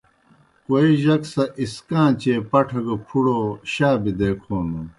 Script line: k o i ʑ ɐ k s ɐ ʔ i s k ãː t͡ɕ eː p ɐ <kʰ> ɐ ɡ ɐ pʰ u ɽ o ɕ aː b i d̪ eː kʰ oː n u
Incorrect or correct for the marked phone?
incorrect: ʈʰ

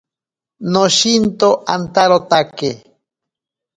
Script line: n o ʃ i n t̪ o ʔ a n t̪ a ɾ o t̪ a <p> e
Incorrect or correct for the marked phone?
incorrect: k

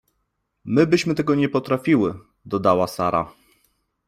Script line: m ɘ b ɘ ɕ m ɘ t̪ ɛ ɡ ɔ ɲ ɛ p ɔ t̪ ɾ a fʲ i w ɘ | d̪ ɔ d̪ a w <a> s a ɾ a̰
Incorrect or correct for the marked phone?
correct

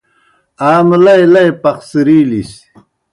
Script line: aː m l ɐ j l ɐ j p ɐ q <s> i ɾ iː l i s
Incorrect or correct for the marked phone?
correct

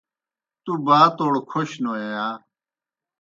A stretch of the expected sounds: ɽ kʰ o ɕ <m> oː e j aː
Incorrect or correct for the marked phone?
incorrect: n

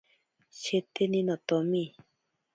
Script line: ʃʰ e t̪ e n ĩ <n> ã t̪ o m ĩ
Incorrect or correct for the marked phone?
correct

